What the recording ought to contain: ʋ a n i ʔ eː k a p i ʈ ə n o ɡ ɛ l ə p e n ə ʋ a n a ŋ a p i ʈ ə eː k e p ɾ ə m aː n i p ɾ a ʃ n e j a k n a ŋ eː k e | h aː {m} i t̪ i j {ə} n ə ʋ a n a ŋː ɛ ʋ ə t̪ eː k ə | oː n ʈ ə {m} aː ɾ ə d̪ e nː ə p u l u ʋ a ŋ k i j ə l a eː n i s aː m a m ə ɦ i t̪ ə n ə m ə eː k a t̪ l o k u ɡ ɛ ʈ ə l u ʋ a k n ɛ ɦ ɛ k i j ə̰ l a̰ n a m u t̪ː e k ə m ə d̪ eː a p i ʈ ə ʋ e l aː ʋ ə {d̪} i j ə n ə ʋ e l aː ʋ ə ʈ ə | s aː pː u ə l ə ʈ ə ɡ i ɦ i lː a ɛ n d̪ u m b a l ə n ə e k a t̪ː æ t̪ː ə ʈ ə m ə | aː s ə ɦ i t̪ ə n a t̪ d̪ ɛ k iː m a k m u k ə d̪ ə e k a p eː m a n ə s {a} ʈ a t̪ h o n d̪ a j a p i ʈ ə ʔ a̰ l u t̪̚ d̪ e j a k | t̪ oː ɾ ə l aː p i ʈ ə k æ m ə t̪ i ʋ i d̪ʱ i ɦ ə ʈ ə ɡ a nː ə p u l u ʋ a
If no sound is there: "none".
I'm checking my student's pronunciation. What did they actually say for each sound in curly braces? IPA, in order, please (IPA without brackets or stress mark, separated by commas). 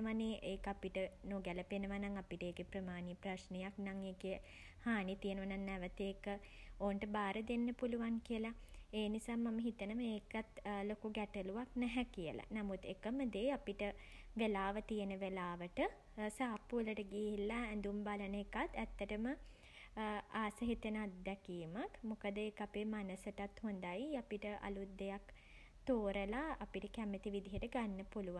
n, ə, b, t̪, ə